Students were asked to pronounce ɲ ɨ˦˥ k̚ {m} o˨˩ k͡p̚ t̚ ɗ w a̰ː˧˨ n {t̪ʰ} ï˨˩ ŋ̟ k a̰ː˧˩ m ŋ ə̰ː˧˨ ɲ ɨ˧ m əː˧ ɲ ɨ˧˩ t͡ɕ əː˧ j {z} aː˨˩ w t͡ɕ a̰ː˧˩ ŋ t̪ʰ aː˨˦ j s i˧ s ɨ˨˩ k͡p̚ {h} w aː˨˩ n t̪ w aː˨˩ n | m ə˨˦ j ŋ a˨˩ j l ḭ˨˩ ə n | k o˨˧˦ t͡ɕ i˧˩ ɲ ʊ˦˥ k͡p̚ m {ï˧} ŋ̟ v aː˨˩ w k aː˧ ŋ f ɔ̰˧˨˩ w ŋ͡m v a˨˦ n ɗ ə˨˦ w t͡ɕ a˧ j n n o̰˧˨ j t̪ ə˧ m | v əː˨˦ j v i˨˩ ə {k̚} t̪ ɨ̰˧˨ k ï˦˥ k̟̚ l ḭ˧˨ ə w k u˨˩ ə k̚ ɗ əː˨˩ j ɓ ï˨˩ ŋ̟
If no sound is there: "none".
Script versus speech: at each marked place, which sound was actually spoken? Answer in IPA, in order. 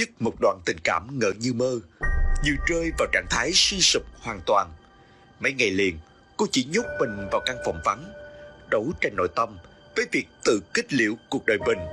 m, t̪, v, h, ï˨˩, k̚

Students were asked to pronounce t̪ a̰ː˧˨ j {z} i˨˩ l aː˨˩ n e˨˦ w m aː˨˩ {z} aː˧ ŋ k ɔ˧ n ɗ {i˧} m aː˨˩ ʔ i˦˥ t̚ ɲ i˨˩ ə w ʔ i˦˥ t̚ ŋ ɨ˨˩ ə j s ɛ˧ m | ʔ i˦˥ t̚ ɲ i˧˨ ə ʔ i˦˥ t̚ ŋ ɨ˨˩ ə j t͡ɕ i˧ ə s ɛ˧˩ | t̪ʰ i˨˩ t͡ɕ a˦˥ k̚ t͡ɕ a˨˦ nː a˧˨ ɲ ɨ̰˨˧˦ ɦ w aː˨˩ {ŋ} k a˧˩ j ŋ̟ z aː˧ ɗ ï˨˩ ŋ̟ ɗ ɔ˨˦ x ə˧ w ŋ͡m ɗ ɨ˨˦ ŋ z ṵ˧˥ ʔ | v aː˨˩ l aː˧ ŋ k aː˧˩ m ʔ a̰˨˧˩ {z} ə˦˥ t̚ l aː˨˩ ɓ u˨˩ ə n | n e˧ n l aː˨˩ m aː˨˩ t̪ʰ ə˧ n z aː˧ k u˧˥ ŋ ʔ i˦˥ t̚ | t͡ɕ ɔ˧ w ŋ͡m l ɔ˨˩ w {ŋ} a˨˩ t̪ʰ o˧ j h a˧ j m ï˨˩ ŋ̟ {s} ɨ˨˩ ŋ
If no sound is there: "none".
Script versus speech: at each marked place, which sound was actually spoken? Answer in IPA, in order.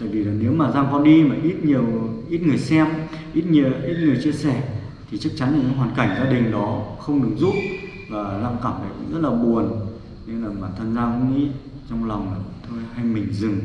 v, z, i˧, n, z, ŋ͡m, z

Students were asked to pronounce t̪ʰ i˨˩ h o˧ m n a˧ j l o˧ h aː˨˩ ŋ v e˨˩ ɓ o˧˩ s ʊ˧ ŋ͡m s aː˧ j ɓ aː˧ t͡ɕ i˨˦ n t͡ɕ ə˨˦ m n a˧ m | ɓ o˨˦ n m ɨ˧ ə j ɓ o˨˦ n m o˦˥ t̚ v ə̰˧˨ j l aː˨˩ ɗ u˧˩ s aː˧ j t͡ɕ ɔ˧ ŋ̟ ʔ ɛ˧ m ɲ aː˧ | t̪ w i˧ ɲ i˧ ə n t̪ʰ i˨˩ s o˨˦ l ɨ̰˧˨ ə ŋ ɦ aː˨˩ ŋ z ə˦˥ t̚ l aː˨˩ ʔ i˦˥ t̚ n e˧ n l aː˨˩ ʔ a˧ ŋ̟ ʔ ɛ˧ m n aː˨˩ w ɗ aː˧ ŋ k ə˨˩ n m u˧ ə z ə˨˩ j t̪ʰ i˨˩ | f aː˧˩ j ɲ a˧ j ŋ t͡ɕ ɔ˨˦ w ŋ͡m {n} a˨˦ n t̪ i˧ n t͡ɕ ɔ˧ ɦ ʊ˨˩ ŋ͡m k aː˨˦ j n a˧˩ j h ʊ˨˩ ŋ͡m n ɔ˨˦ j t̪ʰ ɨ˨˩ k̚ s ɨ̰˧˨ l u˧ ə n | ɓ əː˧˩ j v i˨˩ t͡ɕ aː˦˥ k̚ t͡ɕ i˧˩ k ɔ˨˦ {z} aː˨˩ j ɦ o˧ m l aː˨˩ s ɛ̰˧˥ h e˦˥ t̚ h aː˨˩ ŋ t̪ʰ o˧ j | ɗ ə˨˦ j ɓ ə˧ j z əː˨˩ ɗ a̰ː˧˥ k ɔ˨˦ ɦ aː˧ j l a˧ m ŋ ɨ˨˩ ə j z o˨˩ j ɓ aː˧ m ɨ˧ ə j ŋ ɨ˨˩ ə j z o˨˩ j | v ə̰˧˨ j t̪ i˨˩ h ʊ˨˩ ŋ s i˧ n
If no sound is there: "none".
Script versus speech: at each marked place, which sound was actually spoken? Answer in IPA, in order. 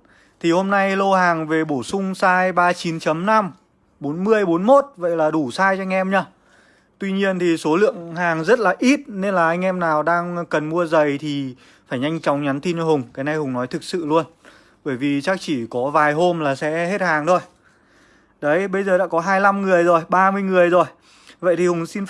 ɲ, v

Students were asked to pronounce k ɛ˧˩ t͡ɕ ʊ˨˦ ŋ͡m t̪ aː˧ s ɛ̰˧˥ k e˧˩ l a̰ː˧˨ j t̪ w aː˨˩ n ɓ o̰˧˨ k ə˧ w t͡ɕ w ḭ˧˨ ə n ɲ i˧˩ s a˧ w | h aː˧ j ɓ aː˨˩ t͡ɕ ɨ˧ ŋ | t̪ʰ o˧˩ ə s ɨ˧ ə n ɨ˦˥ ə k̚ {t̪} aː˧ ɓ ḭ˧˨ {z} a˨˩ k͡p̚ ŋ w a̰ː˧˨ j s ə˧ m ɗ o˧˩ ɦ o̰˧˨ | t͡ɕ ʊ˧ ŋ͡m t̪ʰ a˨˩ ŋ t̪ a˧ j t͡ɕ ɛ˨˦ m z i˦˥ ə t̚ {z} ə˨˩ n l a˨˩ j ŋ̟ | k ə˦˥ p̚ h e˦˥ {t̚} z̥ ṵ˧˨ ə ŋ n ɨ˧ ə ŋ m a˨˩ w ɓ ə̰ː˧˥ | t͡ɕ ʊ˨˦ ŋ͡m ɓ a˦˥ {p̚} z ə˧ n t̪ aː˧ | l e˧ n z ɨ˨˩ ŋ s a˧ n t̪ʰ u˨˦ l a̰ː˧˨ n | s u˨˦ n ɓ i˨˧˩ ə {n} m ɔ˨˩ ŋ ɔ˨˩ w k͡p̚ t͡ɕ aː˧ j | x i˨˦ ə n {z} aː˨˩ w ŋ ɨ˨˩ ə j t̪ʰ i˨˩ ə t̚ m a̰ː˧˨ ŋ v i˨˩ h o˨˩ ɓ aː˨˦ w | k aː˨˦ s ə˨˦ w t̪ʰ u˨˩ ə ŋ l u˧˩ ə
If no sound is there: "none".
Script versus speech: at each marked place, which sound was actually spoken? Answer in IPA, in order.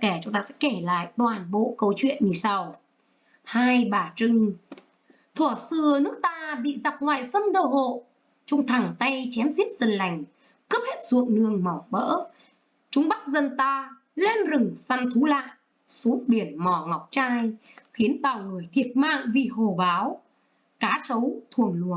t̪, z, z, t̚, k̚, n, v

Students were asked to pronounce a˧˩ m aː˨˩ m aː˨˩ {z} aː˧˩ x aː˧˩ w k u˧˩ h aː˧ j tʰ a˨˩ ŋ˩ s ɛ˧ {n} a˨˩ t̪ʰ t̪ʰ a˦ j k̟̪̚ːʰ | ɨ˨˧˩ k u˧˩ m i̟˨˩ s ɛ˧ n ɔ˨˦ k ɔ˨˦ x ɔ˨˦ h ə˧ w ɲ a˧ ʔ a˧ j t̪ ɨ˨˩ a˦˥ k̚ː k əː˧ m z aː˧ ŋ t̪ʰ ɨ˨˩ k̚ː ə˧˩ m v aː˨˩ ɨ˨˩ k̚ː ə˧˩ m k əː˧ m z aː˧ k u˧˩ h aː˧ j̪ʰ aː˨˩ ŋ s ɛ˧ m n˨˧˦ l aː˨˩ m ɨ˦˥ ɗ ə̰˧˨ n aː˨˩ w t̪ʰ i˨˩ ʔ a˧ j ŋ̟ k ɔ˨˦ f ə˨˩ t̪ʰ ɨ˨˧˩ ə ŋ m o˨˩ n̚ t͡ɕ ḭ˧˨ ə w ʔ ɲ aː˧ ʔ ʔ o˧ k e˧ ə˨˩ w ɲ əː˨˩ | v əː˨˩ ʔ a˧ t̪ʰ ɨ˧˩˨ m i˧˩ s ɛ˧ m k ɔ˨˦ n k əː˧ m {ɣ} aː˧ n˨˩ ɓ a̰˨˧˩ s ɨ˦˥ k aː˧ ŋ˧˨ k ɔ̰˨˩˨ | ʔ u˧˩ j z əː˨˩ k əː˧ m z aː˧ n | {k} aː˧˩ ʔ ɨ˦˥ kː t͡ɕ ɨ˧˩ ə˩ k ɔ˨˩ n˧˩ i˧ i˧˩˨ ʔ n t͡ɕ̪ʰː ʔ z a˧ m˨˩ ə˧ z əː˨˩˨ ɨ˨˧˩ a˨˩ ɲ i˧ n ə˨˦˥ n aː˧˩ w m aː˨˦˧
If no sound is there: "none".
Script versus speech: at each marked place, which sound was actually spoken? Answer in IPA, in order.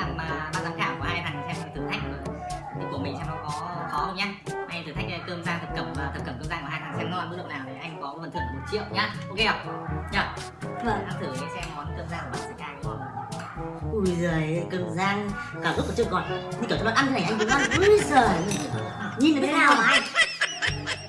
z, m, z, k

